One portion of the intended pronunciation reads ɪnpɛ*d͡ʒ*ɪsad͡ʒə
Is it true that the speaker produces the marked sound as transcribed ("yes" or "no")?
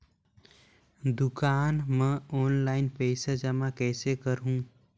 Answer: no